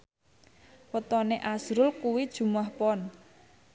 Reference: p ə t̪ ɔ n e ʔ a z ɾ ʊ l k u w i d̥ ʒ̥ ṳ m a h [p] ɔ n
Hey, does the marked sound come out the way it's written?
yes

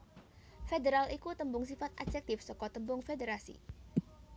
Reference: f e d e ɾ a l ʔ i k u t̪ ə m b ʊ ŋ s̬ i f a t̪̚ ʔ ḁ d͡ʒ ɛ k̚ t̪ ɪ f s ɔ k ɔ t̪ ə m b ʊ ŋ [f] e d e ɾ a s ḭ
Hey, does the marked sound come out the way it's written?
yes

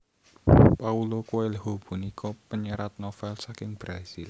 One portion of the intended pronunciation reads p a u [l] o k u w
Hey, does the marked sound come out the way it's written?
yes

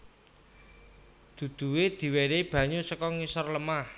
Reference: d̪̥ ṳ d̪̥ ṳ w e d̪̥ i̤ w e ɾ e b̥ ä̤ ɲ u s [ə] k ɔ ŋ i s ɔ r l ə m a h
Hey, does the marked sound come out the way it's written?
yes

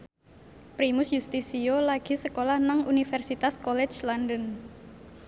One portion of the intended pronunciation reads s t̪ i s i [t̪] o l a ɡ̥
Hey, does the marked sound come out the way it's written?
no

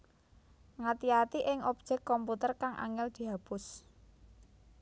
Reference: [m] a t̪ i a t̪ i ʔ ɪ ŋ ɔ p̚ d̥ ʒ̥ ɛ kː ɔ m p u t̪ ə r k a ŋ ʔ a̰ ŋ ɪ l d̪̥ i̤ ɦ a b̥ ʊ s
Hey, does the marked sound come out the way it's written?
no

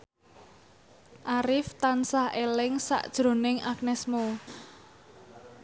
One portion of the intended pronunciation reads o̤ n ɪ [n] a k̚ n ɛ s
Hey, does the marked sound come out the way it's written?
no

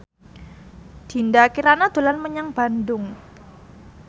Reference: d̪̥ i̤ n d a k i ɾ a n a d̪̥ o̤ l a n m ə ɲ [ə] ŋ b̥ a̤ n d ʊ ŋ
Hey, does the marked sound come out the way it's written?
no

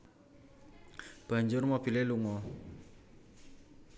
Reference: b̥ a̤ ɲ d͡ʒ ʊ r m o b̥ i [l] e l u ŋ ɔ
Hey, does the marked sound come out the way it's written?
yes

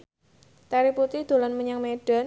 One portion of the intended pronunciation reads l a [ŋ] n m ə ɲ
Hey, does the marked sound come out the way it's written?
no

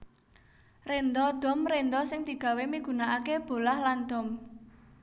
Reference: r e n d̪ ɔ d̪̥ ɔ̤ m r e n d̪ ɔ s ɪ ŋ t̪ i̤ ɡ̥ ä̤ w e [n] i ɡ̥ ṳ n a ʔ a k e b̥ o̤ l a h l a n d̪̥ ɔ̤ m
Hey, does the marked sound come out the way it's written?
no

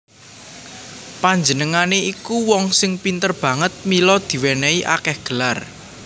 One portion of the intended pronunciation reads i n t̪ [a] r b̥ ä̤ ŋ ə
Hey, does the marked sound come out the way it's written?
no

